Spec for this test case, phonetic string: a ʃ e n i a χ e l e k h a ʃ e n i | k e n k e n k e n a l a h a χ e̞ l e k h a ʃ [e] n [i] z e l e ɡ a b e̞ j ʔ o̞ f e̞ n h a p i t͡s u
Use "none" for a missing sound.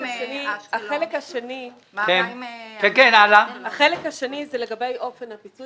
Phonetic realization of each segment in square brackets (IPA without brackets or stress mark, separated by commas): e, i